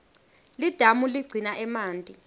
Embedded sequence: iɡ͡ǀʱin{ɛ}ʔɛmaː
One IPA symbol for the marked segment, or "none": a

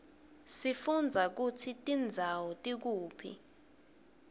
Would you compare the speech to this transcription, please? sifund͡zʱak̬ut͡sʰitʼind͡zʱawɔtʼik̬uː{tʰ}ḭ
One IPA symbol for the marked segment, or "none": pʰ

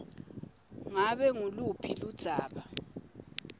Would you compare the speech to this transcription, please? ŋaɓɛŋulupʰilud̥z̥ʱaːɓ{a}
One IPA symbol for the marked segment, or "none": a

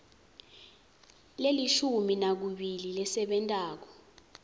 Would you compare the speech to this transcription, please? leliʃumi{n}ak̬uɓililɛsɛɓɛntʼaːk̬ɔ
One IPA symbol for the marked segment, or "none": n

